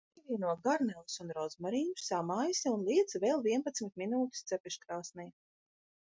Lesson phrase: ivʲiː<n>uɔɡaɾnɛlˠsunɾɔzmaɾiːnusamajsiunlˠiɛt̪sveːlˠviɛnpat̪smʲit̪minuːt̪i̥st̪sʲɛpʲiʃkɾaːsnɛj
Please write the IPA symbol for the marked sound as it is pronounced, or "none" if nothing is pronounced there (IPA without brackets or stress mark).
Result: n